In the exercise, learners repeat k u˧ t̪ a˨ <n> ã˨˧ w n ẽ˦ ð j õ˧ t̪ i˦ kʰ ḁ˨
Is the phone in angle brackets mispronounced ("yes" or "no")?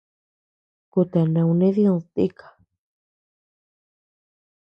no